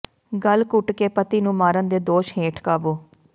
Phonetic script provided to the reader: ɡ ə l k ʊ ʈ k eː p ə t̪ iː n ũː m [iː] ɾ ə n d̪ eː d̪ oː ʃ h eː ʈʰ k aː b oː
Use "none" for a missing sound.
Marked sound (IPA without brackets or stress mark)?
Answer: aː